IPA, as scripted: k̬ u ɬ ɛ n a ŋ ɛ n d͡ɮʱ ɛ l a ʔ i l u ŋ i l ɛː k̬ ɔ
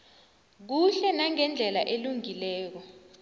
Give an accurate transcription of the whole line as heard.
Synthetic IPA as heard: k̬ u ɬ ɛ n a ŋ ɛ n d͡ɮʱ ɛ l a ʔ e l u ŋ i l ɛː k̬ ɔ

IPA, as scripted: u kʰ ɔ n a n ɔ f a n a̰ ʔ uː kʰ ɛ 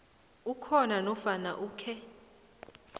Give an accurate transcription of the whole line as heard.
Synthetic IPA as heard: u kʰ ɔ n a n ɔ f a n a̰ ʔ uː kʰ ɛ

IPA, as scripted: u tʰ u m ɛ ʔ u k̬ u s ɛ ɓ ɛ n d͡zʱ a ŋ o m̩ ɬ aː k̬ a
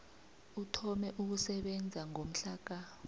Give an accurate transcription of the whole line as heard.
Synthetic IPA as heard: u tʰ ɔ m ɛ ʔ u k̬ u s ɛ ɓ ɛ n d͡zʱ a ŋ o m̩ ɬ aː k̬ a

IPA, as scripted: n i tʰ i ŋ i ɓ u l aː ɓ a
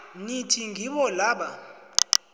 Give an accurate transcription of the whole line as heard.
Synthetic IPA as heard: n i tʰ i ŋ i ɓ ɔ l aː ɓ a

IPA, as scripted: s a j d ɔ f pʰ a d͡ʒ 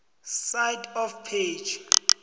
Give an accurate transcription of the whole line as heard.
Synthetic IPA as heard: s a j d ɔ f pʰ e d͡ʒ

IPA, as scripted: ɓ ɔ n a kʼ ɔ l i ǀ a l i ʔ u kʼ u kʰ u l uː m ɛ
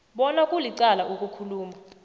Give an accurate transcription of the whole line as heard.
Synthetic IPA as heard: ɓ ɔ n a kʼ u l i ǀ a l a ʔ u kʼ u kʰ u l uː m a

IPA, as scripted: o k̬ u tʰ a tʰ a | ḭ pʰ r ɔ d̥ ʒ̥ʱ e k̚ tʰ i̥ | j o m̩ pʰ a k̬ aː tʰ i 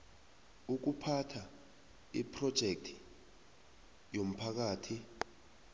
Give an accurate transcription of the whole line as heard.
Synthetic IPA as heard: u k̬ u pʰ a tʰ a | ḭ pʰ r ɔ d̥ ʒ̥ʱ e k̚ tʰ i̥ | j o m̩ pʰ a k̬ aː tʰ i

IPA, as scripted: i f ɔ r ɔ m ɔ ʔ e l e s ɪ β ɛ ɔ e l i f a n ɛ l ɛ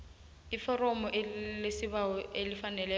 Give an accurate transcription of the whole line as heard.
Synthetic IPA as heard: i f ɔ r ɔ m ɔ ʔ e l e s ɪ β a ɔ e l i f a n ɛ l ɛ

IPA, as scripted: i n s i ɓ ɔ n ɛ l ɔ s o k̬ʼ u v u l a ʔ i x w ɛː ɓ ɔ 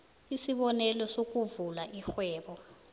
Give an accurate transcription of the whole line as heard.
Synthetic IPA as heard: i s i ɓ ɔ n ɛ l ɔ s o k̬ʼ u v u l a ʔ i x w ɛː ɓ ɔ

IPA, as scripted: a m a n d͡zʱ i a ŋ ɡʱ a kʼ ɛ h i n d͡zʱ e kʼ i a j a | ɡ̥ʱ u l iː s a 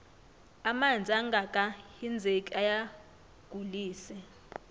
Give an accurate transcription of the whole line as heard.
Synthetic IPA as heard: a m a n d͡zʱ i a ŋ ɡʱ a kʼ a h i n d͡zʱ e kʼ i a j a | ɡ̥ʱ u l iː s ɛ

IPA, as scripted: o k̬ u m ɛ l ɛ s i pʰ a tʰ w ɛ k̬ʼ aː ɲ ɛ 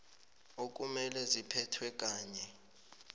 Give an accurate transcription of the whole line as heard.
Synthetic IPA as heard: o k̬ u m ɛ l ɛ z i pʰ ɛ tʰ w ɛ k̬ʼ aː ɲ ɛ

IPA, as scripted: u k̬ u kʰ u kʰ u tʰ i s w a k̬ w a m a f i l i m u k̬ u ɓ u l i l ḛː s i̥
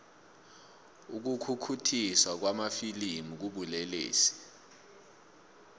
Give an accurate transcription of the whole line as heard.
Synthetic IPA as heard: u k̬ u kʰ u kʰ u tʰ i s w a k̬ w a m a f i l i m u k̬ u ɓ u l ɛ l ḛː s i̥

